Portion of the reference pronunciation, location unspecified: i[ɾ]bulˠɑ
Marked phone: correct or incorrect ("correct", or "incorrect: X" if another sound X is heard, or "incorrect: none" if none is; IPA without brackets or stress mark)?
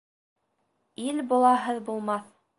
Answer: incorrect: l